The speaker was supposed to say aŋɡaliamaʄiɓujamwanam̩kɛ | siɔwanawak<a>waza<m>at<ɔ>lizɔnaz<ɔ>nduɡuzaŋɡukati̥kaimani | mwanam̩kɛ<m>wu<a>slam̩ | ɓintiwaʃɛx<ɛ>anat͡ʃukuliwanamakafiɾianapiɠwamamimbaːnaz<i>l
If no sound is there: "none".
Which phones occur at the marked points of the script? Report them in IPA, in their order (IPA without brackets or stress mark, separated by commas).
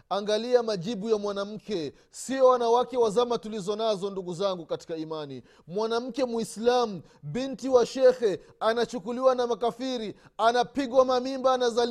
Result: ɛ, m, u, ɔ, m, i, ɛ, a